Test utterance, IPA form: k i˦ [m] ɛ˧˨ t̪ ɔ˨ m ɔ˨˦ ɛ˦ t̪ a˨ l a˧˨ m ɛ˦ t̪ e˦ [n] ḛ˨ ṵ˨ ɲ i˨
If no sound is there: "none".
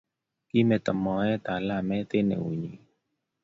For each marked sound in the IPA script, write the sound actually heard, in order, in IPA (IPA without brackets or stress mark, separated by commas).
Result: m, n